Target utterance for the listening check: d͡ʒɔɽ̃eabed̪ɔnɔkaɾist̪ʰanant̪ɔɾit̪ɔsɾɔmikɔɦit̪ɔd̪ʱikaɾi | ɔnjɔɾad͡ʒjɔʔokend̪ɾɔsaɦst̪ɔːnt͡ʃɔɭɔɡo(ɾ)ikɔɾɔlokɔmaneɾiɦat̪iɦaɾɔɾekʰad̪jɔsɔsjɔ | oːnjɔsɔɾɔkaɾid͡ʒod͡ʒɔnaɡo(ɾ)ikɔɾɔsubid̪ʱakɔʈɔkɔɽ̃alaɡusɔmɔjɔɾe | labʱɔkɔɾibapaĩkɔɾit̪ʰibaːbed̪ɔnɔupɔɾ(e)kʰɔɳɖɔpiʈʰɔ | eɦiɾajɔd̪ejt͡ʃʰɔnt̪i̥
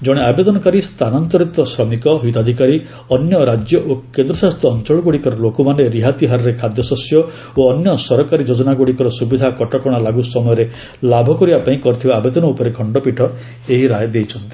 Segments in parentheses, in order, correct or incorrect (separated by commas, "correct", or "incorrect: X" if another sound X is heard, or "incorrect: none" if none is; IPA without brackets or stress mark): incorrect: ɽ, incorrect: ɽ, correct